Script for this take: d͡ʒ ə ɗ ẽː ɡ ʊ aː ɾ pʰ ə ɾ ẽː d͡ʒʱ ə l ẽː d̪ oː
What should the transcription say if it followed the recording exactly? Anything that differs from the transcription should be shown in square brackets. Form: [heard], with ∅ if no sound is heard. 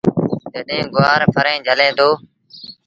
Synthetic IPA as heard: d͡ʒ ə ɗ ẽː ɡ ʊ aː ɾ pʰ ə ɾ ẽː d͡ʒʱ ə l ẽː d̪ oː